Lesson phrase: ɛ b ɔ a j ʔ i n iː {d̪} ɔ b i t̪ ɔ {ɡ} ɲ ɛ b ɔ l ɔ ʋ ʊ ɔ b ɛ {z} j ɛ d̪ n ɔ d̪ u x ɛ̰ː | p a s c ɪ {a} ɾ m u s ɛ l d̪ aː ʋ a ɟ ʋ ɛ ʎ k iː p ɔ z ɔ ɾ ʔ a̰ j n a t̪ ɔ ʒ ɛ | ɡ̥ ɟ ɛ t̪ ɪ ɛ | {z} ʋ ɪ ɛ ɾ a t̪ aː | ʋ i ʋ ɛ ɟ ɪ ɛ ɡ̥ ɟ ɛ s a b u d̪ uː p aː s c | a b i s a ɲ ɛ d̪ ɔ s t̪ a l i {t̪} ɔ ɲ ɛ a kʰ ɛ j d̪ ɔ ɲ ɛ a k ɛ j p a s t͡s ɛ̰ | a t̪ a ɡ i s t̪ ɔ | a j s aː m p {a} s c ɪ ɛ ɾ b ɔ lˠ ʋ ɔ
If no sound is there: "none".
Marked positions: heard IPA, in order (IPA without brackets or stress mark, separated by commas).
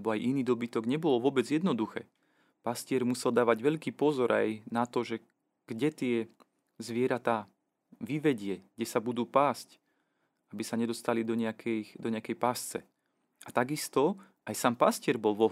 d̪, ɡ, d͡z, ɛ, z, d̪, a